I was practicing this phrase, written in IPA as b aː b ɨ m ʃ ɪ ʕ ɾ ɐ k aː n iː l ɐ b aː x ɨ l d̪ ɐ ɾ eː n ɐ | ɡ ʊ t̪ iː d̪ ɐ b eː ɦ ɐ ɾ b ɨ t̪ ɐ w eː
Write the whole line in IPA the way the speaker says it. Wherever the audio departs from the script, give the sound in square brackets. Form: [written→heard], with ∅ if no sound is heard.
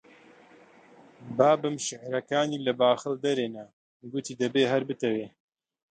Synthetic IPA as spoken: b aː b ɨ m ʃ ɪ ʕ ɾ ɐ k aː n iː l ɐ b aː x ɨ l d̪ ɐ ɾ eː n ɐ | ɡ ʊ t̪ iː d̪ ɐ b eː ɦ ɐ ɾ b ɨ t̪ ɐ w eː